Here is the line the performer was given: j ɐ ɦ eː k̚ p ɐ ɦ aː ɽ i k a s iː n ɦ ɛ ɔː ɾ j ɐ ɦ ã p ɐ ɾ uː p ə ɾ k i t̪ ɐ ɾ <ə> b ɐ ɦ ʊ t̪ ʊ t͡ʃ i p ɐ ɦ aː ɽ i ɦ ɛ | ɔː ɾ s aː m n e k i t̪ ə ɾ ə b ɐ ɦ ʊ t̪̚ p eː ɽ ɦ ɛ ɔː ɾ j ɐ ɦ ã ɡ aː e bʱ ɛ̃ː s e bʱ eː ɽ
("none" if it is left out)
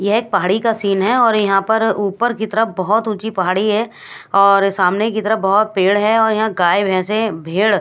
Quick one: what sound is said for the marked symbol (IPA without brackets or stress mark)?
ə